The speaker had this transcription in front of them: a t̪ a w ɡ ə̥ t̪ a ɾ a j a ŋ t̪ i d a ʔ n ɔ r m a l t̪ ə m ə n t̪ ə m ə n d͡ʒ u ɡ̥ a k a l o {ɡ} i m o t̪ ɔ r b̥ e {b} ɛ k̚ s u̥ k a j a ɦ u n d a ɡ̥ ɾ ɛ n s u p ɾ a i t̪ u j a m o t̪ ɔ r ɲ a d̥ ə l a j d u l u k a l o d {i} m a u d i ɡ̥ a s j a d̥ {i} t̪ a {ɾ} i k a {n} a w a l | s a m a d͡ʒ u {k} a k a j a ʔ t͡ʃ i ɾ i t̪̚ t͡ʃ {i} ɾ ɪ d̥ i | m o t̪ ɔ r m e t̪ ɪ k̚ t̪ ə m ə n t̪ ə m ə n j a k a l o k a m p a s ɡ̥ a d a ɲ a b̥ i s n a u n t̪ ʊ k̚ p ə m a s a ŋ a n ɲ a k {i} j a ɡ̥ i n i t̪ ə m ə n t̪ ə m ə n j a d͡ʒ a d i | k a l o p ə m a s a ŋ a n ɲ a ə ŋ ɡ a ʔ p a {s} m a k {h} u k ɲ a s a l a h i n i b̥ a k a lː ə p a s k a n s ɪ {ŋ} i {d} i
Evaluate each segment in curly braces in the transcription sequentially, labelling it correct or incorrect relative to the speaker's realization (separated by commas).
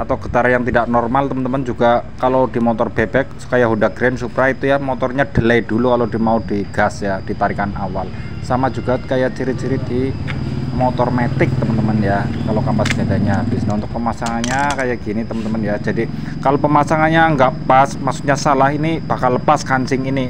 incorrect, correct, correct, correct, correct, correct, incorrect, correct, incorrect, correct, incorrect, correct, incorrect